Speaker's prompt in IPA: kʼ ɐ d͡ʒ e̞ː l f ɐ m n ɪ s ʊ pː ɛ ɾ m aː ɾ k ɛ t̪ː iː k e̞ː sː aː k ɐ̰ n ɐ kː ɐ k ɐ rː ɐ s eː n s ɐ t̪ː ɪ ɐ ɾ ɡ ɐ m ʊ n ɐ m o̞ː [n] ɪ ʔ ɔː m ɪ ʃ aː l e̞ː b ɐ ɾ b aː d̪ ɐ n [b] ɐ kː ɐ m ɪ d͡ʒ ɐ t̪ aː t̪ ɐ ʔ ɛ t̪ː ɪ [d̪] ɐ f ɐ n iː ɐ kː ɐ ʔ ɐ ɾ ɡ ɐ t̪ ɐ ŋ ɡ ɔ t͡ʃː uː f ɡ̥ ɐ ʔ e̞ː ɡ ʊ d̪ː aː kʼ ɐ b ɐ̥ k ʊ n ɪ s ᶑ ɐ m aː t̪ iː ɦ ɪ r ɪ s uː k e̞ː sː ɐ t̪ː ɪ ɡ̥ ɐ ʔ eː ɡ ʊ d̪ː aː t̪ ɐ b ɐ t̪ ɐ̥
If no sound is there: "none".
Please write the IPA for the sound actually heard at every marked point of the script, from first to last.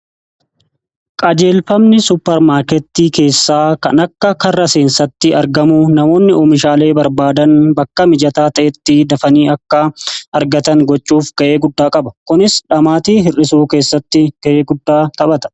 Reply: nː, b, d̪

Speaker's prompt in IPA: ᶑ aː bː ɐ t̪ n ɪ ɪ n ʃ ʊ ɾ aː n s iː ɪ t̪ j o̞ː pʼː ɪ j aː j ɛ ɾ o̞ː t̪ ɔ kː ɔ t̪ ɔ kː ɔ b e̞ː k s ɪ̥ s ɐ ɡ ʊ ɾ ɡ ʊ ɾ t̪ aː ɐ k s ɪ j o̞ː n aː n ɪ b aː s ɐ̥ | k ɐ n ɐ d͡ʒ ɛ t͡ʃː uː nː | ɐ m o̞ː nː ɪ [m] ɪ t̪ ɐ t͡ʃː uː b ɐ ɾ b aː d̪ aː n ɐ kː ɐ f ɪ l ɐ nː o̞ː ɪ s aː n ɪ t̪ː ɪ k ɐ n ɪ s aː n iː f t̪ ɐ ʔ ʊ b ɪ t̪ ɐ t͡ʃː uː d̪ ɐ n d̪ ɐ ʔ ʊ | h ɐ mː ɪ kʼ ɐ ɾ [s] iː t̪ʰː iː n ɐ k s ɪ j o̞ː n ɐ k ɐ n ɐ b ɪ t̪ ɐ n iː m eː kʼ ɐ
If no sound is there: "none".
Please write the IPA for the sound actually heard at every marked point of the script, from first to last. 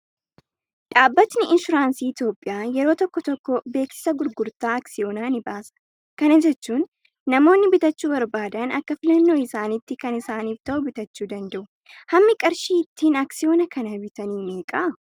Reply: b, ʃ

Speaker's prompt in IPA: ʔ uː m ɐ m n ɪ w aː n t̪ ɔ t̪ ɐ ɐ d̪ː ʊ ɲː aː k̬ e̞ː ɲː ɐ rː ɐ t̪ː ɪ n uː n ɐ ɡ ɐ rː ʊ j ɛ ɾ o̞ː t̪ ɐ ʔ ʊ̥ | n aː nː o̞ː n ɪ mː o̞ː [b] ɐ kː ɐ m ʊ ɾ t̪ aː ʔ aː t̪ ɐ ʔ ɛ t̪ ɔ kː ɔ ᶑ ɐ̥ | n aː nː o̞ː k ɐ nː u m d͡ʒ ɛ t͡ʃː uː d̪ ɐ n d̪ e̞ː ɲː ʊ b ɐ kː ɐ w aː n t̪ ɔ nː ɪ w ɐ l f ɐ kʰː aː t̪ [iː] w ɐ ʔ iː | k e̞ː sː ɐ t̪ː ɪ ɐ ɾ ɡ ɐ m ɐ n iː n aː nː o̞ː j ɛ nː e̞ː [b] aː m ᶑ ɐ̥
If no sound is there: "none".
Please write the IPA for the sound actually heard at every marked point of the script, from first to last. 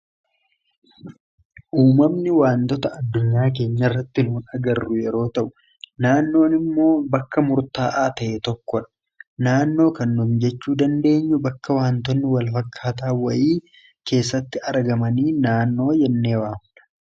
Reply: b, aː, w

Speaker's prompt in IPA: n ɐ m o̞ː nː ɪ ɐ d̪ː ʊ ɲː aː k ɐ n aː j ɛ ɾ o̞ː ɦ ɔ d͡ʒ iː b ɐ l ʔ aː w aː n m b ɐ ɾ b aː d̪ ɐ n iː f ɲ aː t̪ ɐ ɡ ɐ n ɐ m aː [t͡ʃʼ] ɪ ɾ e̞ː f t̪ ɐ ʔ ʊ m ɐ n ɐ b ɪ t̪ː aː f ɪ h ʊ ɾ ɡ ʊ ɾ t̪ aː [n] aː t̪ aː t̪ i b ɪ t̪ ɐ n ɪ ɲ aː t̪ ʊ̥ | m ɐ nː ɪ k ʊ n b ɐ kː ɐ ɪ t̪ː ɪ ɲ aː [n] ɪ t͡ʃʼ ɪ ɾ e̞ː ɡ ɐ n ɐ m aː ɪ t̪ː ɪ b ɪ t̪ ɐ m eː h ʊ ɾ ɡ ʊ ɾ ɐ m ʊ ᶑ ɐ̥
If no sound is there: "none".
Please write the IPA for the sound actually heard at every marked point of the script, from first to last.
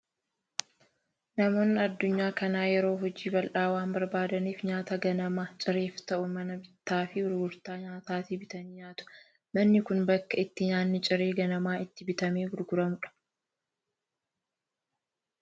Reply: t͡ʃʼ, ɲ, nː

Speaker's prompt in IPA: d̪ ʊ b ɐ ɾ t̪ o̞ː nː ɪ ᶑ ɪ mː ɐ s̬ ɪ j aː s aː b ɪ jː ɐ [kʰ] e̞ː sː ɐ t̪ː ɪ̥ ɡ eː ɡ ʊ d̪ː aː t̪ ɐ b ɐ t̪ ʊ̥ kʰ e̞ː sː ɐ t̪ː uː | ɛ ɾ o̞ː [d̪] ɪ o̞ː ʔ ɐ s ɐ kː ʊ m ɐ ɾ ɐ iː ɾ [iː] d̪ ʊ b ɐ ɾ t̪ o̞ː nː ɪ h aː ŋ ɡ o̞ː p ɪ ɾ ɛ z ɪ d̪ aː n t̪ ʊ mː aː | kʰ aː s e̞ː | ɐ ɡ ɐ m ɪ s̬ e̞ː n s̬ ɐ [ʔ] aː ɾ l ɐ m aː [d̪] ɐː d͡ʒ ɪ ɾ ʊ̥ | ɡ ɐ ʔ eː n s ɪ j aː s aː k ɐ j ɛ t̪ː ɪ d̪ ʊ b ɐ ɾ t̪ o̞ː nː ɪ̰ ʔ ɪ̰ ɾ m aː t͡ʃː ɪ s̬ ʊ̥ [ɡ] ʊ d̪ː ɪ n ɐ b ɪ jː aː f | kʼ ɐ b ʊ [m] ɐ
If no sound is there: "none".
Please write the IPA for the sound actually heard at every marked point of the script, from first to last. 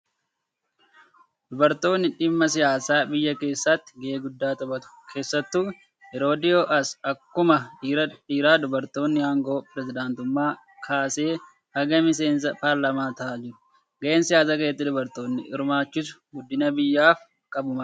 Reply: k, d̪, aː, p, t̪, ɡ, m

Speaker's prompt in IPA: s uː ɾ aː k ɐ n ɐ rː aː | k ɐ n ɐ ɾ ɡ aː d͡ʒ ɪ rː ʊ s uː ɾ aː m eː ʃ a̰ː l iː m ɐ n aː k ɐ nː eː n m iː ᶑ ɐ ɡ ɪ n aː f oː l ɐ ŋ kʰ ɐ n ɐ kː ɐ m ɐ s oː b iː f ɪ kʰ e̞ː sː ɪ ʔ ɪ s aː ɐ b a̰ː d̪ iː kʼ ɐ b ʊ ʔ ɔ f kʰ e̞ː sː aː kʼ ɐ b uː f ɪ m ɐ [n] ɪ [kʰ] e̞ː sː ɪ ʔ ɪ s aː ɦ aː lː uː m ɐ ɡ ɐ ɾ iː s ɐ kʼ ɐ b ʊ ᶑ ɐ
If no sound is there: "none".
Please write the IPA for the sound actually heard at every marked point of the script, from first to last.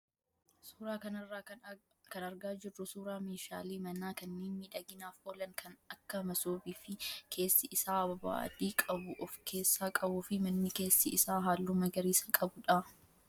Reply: nː, k

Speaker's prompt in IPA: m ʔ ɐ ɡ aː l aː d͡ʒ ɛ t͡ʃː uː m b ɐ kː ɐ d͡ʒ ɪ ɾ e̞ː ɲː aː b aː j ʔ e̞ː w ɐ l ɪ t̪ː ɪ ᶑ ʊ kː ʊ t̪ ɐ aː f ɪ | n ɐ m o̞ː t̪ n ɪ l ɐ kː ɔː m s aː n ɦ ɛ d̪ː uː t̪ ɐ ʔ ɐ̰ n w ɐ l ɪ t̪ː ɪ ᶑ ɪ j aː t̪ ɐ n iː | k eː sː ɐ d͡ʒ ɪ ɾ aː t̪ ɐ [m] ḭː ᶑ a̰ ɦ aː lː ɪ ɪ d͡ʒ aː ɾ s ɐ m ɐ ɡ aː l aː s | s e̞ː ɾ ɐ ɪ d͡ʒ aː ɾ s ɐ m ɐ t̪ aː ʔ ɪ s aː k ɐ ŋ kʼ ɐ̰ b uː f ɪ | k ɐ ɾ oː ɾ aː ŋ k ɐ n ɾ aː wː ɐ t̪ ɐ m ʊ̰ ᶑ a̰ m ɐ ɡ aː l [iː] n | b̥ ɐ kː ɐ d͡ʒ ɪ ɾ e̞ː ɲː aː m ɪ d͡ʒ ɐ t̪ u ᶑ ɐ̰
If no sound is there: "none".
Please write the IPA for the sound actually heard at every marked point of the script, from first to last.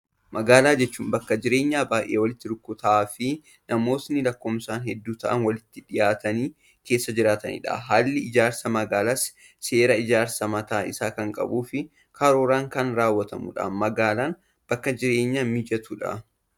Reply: n, aː

